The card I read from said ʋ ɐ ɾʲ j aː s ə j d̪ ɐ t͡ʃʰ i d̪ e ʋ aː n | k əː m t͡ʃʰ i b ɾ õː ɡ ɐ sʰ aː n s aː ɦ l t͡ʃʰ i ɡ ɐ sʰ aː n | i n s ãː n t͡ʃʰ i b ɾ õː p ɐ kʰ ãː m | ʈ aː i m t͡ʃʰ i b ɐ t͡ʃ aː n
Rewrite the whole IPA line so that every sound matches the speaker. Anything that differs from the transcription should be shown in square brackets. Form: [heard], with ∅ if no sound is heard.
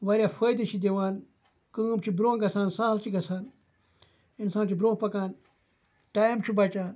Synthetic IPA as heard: ʋ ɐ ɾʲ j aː [f] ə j d̪ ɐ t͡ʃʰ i d̪ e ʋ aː n | k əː m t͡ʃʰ i b ɾ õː ɡ ɐ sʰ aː n s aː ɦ l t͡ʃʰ i ɡ ɐ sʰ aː n | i n s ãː n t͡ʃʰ i b ɾ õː p ɐ [k] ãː [n] | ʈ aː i m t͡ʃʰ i b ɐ t͡ʃ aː n